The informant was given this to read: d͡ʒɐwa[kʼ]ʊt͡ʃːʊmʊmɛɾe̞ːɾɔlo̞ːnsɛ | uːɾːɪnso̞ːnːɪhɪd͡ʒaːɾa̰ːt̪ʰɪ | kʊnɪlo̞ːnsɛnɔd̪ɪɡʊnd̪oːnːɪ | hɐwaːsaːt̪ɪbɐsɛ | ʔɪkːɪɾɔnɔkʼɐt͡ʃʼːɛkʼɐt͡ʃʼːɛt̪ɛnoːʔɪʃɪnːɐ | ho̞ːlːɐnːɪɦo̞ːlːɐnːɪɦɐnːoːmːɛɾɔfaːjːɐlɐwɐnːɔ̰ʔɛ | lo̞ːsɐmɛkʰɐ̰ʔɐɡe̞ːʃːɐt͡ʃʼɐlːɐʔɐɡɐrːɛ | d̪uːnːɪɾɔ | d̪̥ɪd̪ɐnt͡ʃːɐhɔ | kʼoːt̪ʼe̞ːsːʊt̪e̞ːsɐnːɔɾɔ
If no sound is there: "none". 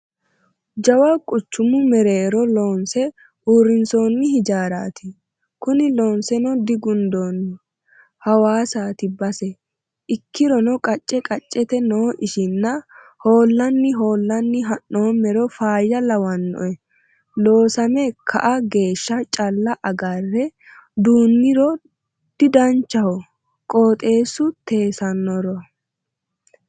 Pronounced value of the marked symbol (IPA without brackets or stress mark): kʼ